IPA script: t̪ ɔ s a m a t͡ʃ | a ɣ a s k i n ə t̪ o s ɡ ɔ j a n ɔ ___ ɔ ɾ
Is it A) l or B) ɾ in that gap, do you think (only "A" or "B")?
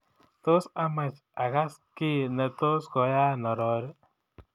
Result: B